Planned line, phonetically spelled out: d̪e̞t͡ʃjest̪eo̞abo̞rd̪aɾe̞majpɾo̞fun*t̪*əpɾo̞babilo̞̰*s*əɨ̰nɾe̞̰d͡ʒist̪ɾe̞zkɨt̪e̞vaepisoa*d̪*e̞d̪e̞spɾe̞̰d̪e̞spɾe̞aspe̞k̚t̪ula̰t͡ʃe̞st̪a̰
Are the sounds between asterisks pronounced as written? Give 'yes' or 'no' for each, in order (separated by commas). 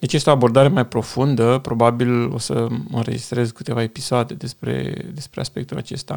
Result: no, yes, yes